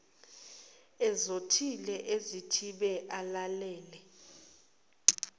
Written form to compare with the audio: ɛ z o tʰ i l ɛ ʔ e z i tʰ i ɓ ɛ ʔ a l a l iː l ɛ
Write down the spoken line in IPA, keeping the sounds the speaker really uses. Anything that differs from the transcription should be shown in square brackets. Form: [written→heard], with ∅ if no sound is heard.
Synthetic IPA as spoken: ɛ z o tʰ i l ɛ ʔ e z i tʰ i ɓ ɛ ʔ a l a l [iː→ɛː] l ɛ